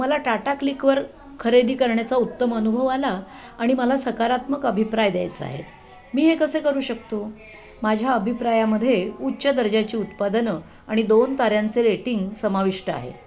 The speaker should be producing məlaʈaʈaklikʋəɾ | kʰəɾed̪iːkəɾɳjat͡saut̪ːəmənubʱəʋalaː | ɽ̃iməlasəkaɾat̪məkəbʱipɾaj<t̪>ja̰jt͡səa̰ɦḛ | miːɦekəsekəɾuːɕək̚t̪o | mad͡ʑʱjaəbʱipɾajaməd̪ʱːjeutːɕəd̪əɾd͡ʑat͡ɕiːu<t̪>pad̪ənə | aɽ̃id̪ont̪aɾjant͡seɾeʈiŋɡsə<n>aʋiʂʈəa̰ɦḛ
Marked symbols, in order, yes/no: no, yes, no

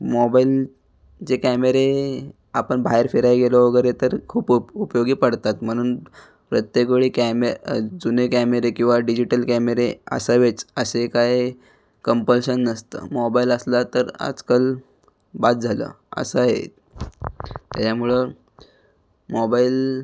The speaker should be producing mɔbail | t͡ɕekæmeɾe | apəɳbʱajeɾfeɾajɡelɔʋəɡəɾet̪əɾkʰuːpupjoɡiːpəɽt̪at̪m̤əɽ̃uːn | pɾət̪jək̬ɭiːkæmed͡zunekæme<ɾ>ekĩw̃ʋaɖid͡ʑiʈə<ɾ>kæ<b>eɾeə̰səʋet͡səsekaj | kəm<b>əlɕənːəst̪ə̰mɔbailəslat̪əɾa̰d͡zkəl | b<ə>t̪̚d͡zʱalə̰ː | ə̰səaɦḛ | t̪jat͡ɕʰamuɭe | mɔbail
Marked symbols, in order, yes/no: yes, no, no, no, no

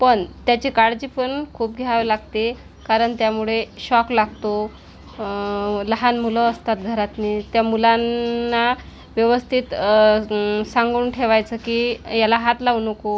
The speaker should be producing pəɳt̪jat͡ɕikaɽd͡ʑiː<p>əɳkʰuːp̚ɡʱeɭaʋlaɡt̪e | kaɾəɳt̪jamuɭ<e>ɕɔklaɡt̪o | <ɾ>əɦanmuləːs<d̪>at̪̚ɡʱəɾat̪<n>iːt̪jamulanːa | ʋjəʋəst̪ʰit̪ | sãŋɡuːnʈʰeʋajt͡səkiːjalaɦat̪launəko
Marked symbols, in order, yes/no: yes, yes, no, no, yes

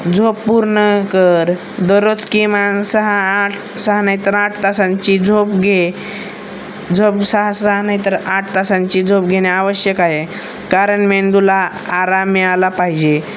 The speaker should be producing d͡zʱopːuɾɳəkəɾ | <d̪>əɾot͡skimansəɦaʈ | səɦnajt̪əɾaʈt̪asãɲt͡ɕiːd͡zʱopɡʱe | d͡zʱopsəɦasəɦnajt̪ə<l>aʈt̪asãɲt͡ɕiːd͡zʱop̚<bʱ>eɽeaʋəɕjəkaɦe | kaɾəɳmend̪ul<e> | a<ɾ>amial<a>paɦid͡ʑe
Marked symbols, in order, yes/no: yes, no, no, no, yes, yes

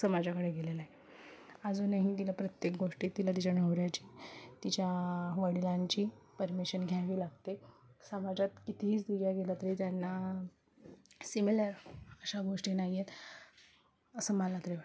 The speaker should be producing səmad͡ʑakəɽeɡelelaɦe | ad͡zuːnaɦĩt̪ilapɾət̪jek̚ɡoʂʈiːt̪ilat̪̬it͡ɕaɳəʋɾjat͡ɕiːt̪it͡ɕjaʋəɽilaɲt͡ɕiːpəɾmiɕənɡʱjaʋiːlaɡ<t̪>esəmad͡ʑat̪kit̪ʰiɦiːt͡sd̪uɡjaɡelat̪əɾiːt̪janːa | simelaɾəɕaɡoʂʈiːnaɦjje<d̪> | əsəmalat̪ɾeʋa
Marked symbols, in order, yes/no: yes, no

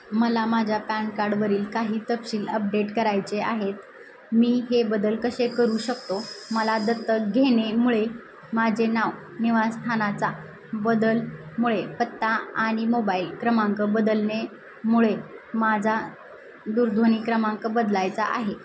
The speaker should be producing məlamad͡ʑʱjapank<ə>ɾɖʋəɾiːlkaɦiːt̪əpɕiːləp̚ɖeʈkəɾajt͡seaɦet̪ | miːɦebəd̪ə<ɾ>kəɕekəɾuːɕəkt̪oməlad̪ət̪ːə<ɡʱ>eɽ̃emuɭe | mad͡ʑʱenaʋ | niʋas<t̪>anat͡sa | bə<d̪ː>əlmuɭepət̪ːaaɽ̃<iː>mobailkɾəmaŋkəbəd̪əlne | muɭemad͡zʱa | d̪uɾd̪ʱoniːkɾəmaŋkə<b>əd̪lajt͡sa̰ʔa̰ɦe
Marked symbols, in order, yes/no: no, no, yes, no, no, no, yes

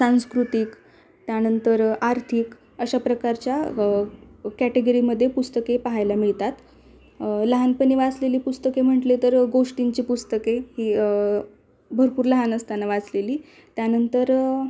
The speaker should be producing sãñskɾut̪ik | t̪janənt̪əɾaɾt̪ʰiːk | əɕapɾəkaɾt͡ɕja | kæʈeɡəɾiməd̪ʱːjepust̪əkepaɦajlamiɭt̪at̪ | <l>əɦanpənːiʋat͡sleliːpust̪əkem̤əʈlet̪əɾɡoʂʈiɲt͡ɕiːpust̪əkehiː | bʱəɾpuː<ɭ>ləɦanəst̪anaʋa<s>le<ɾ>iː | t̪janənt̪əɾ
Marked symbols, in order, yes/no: yes, no, no, no

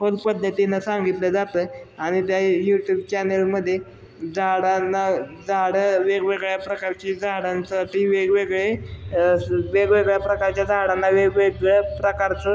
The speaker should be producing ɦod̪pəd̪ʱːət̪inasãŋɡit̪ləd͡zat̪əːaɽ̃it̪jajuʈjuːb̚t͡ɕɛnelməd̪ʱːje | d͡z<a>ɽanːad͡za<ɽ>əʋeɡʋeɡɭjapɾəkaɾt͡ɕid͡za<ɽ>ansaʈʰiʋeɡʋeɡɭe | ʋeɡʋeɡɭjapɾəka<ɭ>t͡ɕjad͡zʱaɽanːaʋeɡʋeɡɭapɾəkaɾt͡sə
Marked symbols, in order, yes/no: yes, yes, yes, no

